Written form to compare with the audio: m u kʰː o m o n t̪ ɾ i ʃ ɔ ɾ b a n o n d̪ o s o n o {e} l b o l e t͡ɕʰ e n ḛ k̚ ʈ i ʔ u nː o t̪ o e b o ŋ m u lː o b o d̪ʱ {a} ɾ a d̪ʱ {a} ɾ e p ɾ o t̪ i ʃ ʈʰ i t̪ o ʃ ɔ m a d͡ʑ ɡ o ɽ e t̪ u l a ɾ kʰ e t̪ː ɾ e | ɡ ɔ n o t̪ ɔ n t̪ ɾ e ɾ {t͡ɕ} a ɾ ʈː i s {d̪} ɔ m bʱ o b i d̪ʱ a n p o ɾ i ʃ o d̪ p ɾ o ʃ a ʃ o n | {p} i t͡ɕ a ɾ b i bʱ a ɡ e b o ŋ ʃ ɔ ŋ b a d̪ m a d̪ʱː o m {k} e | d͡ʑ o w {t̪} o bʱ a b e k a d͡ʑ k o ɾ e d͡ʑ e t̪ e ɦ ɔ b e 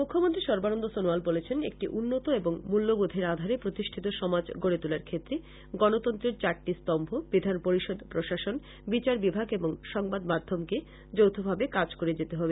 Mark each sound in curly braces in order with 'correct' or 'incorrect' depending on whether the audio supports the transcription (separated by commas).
incorrect, incorrect, correct, correct, incorrect, incorrect, correct, incorrect